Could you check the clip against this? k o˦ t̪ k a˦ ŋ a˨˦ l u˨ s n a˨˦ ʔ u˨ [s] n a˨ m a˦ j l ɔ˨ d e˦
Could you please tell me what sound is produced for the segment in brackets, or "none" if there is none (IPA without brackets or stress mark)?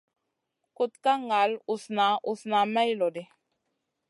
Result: s